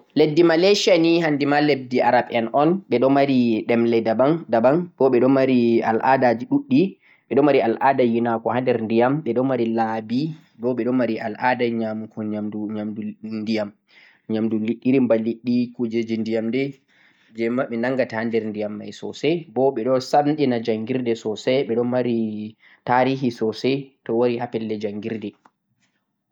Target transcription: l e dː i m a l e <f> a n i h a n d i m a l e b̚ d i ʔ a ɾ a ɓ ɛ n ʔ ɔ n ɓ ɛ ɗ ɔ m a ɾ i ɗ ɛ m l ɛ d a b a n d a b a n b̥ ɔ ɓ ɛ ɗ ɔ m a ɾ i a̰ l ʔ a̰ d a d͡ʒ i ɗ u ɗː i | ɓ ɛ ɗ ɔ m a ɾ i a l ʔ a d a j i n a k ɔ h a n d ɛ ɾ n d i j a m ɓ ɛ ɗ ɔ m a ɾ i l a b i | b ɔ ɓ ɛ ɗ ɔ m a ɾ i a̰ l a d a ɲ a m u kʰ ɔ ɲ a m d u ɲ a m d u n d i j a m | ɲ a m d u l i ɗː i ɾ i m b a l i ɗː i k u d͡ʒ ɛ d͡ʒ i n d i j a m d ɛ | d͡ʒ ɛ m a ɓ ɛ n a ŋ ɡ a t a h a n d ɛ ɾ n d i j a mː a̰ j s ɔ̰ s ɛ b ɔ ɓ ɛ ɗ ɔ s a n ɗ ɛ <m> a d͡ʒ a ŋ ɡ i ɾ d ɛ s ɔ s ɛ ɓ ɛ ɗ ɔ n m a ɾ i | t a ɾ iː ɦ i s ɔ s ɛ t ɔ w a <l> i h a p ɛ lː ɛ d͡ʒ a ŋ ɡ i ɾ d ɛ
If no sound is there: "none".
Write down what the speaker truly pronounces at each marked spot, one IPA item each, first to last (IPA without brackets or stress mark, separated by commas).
ʃ, n, ɾ